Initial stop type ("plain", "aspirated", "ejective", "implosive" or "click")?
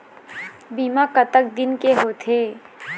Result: plain